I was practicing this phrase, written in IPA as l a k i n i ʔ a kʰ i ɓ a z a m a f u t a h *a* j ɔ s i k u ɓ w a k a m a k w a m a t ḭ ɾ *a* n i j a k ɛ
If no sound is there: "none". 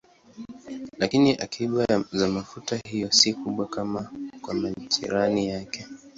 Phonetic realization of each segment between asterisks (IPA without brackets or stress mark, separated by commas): i, a